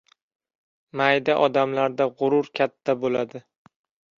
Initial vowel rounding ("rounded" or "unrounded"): unrounded